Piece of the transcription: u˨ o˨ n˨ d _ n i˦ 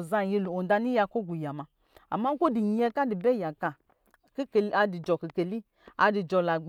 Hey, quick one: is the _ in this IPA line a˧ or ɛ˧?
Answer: a˧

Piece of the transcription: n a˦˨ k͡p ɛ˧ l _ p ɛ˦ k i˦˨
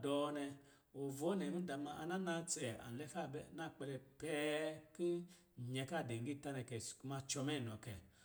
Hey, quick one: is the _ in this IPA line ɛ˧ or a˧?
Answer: ɛ˧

